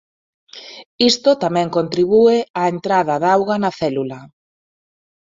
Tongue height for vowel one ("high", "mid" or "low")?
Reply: high